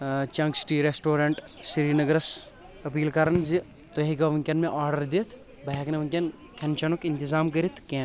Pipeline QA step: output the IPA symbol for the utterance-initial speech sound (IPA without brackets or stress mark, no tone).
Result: t͡ʃ